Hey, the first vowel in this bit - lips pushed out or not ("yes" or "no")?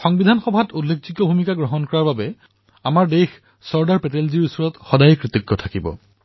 yes